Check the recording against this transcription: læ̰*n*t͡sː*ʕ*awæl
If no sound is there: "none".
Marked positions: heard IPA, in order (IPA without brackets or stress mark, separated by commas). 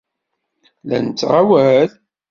n, ʁ